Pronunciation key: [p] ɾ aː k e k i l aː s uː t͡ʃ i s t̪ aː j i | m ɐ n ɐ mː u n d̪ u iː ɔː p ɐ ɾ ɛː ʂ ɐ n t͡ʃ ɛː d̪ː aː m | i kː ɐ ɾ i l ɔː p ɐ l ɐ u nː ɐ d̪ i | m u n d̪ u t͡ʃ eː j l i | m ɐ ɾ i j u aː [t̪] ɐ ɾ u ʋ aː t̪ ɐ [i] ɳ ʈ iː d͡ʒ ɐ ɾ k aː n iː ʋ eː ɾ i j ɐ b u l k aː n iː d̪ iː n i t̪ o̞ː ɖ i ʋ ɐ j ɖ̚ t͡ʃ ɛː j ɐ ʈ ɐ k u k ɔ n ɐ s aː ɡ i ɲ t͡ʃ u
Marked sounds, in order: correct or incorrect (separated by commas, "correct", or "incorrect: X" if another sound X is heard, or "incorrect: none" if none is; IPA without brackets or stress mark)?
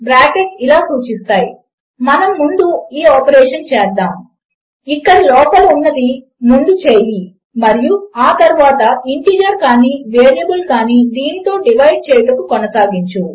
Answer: incorrect: b, correct, correct